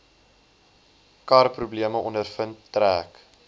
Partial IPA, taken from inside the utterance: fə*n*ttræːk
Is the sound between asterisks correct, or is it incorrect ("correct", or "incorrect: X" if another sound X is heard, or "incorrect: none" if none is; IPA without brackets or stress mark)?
correct